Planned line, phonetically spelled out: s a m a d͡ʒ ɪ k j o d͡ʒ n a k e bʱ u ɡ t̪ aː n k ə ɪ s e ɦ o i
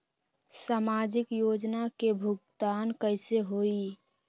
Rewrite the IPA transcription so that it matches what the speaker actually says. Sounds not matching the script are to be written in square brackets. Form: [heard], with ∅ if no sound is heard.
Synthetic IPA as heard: s a m a d͡ʒ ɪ k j o d͡ʒ n a k e bʱ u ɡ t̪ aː n k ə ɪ s e ɦ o i